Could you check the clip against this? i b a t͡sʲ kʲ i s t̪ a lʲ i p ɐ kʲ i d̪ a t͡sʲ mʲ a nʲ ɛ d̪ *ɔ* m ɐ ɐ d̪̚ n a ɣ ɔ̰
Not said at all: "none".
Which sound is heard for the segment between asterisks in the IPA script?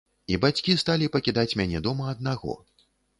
ɔ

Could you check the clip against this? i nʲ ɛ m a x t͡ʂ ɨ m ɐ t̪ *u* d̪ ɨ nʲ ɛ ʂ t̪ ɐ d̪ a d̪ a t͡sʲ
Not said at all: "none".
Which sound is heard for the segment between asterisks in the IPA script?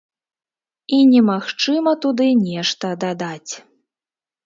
u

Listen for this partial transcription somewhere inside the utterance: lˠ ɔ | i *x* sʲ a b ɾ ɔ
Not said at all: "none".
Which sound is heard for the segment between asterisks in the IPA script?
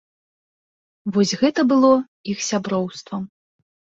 x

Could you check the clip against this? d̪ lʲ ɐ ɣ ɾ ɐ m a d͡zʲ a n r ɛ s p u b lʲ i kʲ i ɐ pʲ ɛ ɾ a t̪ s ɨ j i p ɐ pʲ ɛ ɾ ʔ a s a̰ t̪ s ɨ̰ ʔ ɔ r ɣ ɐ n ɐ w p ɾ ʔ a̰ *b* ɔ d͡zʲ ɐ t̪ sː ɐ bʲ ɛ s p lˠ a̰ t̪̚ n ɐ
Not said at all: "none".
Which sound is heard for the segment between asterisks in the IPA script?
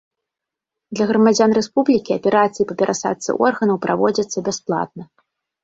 v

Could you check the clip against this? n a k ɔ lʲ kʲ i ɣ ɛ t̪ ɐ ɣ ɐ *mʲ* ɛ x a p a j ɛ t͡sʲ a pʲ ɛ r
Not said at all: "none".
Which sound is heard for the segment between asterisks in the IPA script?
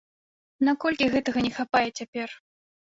nʲ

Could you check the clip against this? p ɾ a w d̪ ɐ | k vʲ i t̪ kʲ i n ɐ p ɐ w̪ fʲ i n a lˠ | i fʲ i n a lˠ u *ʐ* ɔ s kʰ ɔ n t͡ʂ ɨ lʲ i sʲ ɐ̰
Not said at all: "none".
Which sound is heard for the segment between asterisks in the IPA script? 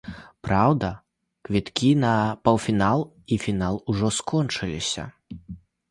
ʐ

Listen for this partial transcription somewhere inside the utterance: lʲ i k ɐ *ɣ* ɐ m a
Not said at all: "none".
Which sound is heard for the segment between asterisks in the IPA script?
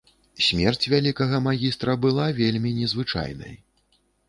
ɣ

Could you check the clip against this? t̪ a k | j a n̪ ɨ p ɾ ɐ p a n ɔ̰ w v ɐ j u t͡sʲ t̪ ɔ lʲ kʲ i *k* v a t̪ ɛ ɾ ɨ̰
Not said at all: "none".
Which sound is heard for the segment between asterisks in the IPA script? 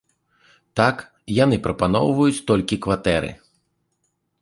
k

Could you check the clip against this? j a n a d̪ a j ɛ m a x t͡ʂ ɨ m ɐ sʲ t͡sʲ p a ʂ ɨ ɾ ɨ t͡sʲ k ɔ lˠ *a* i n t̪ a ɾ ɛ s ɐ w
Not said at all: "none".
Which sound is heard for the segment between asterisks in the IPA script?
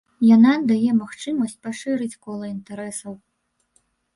ɐ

